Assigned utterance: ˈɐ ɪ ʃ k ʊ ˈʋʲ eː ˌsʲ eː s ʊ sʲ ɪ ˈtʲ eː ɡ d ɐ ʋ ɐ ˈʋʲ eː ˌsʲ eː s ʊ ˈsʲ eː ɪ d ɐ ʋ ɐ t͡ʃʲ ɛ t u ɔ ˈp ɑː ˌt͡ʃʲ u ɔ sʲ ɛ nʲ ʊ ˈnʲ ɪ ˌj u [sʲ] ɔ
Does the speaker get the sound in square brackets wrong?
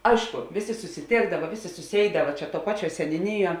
yes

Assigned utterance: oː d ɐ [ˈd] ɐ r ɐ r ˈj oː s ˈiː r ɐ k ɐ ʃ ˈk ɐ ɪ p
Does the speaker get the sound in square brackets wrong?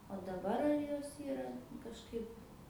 yes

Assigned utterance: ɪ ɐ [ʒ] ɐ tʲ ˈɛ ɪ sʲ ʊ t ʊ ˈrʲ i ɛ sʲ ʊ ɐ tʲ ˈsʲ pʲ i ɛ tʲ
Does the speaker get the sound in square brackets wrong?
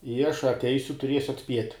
yes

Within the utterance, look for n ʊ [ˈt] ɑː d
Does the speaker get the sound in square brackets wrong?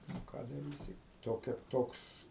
yes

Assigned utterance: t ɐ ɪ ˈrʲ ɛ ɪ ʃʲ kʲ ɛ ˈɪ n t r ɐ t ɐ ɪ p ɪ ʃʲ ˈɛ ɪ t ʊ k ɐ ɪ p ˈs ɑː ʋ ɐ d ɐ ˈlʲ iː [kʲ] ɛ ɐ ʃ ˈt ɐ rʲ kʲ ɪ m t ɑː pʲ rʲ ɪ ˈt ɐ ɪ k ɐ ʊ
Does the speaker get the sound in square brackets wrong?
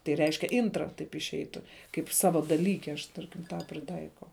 no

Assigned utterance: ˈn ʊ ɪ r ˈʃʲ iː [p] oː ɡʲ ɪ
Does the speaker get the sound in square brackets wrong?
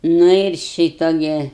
yes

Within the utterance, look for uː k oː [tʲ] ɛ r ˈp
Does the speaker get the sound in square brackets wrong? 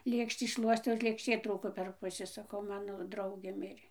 yes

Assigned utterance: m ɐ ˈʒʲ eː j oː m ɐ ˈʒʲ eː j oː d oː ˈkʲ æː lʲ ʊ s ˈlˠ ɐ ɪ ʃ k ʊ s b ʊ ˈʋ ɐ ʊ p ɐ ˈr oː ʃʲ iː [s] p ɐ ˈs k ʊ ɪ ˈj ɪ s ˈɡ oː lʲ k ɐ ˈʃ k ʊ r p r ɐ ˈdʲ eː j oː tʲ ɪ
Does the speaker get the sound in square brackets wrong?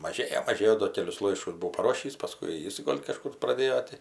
no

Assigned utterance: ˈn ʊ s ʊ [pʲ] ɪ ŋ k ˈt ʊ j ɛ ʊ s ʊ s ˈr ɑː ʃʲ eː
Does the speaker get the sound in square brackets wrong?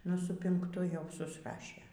no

